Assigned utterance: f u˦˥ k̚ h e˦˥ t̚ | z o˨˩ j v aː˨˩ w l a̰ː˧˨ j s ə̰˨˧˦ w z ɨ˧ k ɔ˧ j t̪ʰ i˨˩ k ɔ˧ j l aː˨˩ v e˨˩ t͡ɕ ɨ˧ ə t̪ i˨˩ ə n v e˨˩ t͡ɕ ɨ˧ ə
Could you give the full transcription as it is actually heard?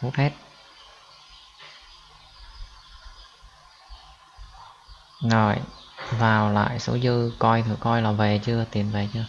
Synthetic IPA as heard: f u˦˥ t̚ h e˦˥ t̚ | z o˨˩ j v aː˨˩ w l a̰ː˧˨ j s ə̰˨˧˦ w z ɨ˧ k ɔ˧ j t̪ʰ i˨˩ k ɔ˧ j l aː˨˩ v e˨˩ t͡ɕ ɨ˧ ə t̪ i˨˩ ə n v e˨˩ t͡ɕ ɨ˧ ə